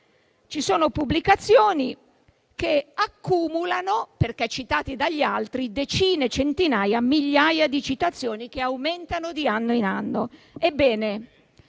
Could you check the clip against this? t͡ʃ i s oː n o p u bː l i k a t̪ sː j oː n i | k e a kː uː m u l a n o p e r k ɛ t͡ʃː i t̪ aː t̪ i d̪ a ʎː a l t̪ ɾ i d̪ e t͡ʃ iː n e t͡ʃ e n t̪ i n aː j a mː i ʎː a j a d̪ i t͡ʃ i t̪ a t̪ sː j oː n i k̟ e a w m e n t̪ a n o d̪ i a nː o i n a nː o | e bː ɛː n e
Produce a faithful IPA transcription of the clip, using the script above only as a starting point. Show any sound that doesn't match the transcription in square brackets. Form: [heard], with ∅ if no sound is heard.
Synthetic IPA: t͡ʃ i s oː n o p u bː l i k a t̪ sː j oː n i | k e a kː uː m u l a n o p e r k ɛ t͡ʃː i t̪ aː t̪ i d̪ a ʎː a l t̪ ɾ i d̪ e t͡ʃ iː n e t͡ʃ e n t̪ i n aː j a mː i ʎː a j a d̪ i t͡ʃ i t̪ a t̪ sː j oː n i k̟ e a w m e n t̪ a n o d̪ i a nː o i n a nː o | e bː ɛː n e